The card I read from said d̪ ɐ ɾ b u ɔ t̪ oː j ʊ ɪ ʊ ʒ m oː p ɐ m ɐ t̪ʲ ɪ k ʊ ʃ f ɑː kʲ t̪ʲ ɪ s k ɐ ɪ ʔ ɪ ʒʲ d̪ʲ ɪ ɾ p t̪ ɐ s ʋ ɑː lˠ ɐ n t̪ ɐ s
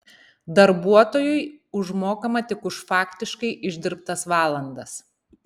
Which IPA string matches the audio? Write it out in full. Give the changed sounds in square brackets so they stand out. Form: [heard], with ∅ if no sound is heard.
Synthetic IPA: d̪ ɐ ɾ b u ɔ t̪ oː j ʊ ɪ ʊ ʒ m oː [k] ɐ m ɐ t̪ʲ ɪ k ʊ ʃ f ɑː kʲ t̪ʲ ɪ [ʃ] k ɐ ɪ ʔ ɪ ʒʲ d̪ʲ ɪ ɾ p t̪ ɐ s ʋ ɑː lˠ ɐ n [d̪] ɐ s